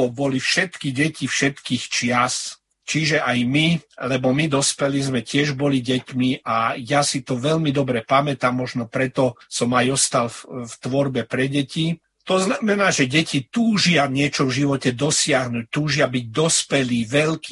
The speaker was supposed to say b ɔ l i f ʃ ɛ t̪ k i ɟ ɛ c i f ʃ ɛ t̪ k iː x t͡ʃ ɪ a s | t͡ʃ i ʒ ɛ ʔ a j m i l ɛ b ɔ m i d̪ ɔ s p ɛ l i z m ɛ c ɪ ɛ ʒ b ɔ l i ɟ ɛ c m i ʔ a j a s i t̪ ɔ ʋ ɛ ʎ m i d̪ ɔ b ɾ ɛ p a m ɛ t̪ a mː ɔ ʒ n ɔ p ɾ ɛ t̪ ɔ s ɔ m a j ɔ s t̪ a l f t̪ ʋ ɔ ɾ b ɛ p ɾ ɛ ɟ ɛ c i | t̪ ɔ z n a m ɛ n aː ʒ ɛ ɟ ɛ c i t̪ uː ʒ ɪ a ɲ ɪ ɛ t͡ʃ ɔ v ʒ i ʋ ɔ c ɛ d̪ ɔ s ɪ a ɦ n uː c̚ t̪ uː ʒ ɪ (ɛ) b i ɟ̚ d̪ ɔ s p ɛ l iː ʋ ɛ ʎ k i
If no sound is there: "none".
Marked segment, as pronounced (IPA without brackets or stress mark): a